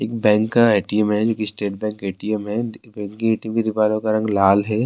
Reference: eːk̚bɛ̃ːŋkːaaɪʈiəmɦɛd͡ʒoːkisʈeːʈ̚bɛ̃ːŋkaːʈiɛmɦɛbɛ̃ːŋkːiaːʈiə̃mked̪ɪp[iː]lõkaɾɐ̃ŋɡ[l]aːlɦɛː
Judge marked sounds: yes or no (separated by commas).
no, yes